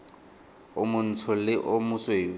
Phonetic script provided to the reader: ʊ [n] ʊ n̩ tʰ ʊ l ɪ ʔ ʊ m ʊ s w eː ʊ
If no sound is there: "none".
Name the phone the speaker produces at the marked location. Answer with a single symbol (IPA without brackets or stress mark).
m